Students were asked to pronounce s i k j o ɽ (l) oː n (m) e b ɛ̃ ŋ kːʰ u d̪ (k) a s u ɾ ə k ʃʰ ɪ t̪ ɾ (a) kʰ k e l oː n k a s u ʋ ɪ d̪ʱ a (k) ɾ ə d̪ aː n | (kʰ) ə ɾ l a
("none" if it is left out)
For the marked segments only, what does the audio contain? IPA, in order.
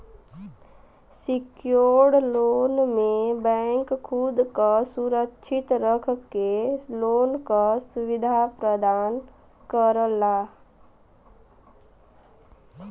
l, m, k, ə, p, k

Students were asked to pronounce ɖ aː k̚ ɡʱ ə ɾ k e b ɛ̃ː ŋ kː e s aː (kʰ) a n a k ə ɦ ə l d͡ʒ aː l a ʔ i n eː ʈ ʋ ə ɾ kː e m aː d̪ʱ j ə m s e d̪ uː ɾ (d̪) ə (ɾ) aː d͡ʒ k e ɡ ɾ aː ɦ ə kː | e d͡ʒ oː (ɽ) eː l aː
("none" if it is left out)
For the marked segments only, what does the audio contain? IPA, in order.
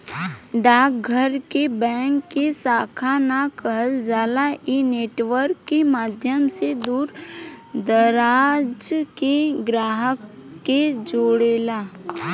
kʰ, d̪, ɾ, ɽ

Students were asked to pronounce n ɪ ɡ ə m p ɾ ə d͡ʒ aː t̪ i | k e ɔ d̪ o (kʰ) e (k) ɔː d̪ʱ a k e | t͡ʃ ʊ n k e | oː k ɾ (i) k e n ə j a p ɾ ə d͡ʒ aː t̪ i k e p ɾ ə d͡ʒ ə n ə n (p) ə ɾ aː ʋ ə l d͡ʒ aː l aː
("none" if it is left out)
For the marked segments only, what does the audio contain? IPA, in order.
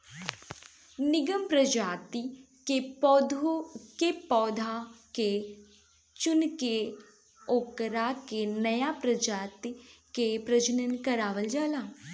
k, p, a, k

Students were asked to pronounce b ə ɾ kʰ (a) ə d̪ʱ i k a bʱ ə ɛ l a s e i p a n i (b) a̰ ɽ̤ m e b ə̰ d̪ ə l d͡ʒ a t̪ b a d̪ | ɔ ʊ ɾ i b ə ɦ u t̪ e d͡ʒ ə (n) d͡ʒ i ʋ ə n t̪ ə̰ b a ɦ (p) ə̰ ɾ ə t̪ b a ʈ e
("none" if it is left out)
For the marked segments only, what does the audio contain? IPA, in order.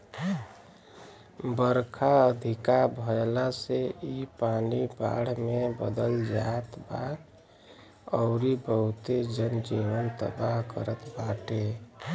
a, b, n, k

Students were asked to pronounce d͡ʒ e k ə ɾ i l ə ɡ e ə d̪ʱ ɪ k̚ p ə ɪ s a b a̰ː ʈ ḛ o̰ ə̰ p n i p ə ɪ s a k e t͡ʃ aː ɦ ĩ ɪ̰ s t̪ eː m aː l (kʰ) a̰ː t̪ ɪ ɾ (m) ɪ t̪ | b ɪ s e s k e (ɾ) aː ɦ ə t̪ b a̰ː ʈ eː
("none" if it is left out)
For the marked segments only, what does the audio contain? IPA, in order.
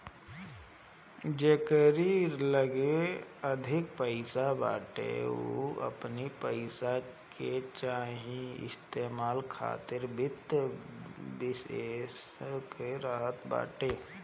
kʰ, b, ɾ

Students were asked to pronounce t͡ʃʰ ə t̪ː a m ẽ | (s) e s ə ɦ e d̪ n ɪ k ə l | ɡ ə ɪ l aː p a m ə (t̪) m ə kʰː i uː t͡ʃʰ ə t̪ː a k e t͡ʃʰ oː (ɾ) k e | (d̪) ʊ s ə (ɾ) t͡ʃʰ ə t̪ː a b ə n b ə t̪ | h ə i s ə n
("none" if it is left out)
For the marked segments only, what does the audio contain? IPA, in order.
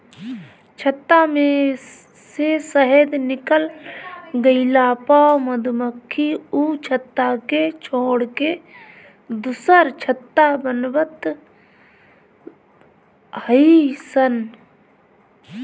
s, d̪, ɽ, d̪, ɾ

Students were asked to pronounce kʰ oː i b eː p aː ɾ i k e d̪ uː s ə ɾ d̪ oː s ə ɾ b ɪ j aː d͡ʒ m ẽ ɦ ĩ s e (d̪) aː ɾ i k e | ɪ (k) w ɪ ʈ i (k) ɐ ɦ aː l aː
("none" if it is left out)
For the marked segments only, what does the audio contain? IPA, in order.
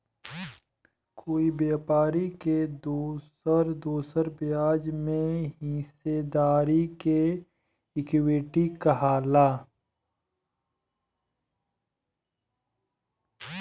d̪, k, k

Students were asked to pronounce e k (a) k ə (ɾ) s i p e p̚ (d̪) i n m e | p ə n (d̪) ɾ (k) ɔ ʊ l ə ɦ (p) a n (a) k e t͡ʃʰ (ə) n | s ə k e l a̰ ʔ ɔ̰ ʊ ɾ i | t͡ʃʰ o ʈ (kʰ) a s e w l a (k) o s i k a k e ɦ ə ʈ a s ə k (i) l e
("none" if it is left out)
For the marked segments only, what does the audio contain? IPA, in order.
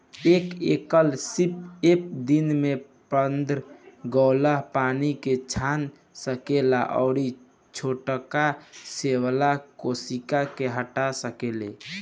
e, l, d̪, d̪, ɡ, p, i, a, k, k, e

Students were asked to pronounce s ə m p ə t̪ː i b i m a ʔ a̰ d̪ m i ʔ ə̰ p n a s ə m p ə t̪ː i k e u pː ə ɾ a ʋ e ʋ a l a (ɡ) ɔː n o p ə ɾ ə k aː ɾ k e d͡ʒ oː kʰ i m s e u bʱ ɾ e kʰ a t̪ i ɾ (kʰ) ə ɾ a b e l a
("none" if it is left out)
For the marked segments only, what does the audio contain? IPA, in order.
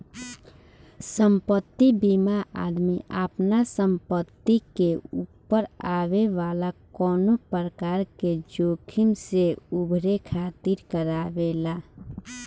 k, k

